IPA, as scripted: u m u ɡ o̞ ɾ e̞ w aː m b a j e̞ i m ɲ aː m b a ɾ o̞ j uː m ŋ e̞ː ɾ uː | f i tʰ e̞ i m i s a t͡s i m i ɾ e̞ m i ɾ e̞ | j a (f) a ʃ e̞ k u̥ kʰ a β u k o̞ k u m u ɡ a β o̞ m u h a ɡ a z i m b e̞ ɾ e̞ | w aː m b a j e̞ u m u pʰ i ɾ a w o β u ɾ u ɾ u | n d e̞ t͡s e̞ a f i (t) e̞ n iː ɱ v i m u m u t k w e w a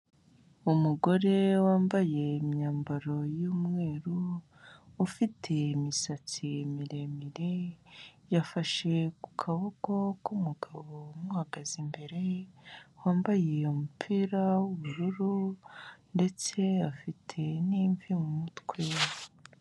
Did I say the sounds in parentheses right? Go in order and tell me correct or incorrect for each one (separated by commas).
correct, incorrect